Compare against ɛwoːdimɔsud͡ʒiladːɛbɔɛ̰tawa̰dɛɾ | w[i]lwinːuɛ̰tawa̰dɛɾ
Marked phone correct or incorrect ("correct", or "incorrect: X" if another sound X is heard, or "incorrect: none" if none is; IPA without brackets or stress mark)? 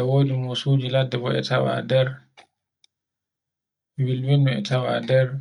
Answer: correct